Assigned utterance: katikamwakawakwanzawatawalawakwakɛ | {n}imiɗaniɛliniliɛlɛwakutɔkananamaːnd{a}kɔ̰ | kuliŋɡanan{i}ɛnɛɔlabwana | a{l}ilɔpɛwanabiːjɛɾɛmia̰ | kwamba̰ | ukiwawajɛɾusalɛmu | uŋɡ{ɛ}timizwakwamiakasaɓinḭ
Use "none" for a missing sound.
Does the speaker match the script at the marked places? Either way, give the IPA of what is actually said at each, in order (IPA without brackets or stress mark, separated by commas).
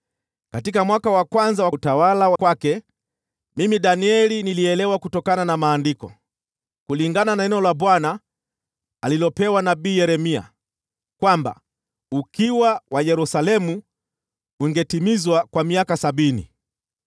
m, i, a, l, ɛ